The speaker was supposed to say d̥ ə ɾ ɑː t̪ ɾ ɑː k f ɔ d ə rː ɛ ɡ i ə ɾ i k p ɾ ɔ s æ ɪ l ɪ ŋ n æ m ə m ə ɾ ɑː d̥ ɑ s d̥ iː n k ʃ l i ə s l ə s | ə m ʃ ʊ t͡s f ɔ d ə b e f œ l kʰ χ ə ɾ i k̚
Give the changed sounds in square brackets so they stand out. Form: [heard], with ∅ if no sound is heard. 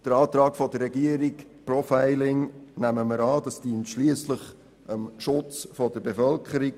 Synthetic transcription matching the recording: d̥ ə ɾ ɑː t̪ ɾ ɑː k f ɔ d ə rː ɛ ɡ i ə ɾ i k p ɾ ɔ [f] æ ɪ l ɪ ŋ n æ m ə m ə ɾ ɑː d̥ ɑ s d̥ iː n [t] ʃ l i ə s l ə [χ] | ə m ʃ ʊ t͡s f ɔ d ə b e f œ l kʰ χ ə ɾ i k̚